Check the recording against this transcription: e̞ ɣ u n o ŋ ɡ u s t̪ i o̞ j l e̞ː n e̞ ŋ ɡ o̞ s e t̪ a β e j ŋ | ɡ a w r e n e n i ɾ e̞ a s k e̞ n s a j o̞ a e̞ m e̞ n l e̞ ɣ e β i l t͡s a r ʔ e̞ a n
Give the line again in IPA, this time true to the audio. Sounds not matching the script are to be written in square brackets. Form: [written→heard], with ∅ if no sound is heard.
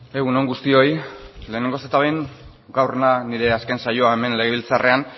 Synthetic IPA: e̞ ɣ u n o ŋ ɡ u s t̪ i o̞ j l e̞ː n e̞ ŋ ɡ o̞ s e t̪ a β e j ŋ | ɡ a w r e n [e→a] n i ɾ e̞ a s k e̞ n s a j o̞ a e̞ m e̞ n l e̞ ɣ e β i l t͡s a r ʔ e̞ a n